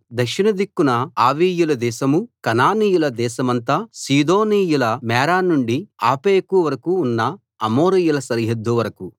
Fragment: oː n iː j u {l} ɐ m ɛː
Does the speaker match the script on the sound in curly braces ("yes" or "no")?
yes